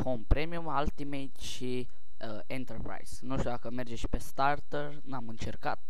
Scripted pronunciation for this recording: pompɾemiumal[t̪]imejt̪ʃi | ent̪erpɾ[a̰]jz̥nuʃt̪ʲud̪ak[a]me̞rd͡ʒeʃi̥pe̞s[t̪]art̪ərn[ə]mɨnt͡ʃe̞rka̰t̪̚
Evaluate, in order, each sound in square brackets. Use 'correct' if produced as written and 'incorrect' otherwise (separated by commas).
correct, correct, incorrect, correct, incorrect